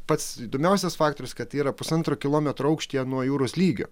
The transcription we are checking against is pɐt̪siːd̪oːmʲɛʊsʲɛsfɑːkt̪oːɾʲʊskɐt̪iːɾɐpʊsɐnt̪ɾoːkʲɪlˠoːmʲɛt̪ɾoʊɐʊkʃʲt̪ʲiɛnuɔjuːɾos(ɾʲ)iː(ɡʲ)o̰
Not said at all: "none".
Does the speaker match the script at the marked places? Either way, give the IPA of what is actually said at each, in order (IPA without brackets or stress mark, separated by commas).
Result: lʲ, ɡʲ